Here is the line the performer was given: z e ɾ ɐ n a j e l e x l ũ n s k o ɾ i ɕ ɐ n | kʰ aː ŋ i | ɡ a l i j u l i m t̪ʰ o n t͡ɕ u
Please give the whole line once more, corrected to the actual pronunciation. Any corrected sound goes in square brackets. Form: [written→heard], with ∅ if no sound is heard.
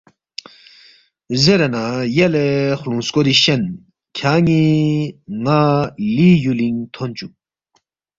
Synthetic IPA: z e ɾ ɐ n a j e l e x l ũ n s k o ɾ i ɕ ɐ n | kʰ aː ŋ i | [ɡ→ŋ] a l i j u l i [m→ŋ] t̪ʰ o n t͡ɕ u